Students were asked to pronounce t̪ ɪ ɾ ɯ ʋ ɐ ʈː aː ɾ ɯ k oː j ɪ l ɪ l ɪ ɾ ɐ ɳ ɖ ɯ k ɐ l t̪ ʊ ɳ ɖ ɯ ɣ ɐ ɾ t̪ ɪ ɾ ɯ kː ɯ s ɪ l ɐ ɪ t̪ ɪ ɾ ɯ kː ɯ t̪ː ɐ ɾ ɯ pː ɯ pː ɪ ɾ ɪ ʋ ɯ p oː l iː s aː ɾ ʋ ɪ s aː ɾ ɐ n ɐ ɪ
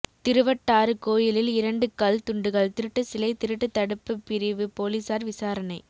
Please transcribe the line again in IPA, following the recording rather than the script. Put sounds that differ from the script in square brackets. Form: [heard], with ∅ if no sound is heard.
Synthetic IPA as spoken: t̪ ɪ ɾ ɯ ʋ ɐ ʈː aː ɾ ɯ k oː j ɪ l ɪ l ɪ ɾ ɐ ɳ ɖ ɯ k ɐ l t̪ ʊ ɳ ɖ ɯ ɣ ɐ [ɭ] t̪ ɪ ɾ ɯ [ʈː] ɯ s ɪ l ɐ ɪ t̪ ɪ ɾ ɯ [ʈː] ɯ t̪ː ɐ [ɽ] ɯ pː ɯ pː ɪ ɾ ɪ ʋ ɯ p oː l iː s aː ɾ ʋ ɪ s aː ɾ ɐ n ɐ ɪ